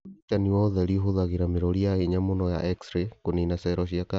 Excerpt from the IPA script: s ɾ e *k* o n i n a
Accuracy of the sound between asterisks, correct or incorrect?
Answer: correct